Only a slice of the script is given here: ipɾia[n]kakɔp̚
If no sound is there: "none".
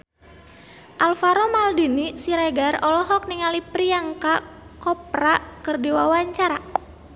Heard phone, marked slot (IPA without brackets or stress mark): ŋ